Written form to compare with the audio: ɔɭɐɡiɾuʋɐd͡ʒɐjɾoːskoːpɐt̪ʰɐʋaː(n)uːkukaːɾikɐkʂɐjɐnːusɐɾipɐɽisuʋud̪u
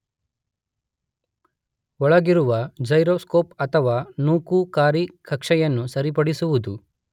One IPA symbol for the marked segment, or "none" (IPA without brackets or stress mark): n